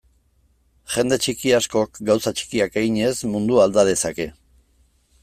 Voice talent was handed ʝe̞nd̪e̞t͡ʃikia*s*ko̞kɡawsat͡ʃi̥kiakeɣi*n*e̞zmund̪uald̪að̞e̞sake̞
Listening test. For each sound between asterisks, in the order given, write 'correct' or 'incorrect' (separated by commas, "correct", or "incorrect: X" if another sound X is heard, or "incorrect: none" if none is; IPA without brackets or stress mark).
correct, incorrect: ɲ